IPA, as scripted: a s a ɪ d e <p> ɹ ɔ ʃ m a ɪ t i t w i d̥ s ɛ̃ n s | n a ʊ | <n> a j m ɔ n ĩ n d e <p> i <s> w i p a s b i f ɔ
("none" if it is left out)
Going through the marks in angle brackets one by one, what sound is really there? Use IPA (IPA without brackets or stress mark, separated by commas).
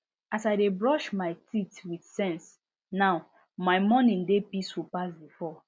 b, m, p, s